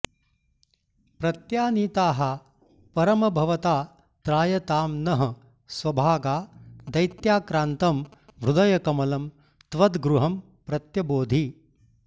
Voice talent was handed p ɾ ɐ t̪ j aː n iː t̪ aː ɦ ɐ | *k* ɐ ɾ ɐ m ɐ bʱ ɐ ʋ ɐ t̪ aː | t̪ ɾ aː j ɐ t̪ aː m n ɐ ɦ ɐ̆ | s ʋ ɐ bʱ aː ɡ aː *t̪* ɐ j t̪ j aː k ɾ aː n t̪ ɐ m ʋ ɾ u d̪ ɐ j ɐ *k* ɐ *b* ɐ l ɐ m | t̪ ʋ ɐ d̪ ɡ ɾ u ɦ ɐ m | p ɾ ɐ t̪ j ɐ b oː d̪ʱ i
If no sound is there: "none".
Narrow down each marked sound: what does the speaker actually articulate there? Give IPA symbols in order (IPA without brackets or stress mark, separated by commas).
p, d̪, k, m